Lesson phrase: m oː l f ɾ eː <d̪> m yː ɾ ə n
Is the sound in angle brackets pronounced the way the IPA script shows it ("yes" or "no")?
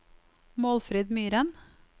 yes